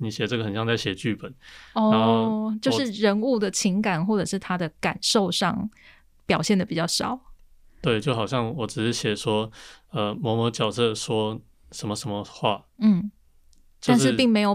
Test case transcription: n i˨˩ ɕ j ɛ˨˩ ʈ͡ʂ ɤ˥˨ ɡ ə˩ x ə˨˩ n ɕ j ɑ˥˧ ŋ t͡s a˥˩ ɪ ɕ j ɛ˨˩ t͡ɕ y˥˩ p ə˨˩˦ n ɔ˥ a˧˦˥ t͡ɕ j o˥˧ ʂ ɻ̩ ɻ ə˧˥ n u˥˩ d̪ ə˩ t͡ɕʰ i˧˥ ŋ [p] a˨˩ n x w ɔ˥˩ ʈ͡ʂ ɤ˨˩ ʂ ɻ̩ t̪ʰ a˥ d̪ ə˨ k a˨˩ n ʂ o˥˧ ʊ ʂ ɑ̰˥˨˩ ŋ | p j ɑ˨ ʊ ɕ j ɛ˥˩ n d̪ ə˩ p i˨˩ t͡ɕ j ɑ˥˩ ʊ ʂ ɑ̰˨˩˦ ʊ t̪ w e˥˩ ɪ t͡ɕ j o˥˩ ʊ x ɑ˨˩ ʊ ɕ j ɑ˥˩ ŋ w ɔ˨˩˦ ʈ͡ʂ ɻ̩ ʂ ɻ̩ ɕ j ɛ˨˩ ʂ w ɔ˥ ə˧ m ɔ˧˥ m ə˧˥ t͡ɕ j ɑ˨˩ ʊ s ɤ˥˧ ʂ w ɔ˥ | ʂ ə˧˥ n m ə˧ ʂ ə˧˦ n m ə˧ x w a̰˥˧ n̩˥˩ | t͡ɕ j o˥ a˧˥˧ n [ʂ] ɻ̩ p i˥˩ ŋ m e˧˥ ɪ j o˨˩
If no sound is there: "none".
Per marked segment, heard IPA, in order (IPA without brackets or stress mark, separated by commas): k, ʂ